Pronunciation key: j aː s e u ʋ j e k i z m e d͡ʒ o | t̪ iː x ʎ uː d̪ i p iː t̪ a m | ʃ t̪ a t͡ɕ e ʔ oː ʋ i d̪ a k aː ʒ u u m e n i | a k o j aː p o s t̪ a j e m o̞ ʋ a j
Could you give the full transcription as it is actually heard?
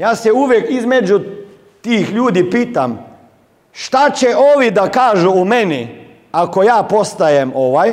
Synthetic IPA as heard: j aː s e u ʋ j e k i z m e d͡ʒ u | t̪ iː x ʎ uː d̪ i p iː t̪ a m | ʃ t̪ a t͡ɕ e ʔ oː ʋ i d̪ a k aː ʒ u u m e n i | a k o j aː p o s t̪ a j e m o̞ ʋ a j